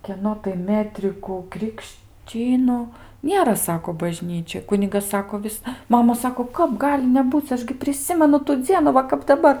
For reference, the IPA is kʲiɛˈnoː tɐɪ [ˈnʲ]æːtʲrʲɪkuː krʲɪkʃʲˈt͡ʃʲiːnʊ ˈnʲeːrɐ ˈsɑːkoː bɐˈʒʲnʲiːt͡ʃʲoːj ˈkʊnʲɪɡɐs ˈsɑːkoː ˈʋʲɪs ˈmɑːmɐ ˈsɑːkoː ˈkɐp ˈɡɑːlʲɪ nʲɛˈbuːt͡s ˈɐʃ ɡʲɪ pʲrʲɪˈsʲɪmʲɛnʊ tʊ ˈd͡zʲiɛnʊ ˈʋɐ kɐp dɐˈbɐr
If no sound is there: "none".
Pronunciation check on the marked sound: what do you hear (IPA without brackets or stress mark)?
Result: mʲ